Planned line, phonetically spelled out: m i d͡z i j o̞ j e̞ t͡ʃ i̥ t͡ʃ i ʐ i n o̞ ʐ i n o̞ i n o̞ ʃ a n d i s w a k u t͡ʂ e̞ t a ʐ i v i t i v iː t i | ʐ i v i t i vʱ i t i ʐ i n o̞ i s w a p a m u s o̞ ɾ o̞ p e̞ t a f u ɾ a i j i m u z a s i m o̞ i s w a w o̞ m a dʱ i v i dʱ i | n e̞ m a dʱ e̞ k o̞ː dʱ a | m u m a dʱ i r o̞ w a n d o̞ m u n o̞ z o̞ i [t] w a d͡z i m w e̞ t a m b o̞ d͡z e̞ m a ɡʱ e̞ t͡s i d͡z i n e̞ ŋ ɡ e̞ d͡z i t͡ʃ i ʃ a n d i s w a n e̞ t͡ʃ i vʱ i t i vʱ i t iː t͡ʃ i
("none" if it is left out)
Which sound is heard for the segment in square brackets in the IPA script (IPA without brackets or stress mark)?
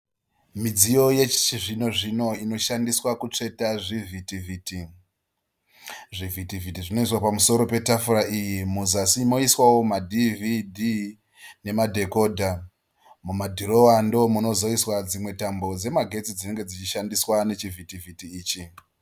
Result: s